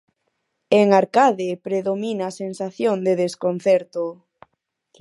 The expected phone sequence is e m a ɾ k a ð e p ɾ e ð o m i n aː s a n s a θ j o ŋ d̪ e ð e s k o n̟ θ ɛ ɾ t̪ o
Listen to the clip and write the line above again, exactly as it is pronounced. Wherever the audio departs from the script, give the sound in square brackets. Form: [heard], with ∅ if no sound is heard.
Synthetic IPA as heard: e [ŋ] a ɾ k a ð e p ɾ e ð o m i n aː s [e] n s a θ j o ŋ d̪ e ð e s k o n̟ θ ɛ ɾ t̪ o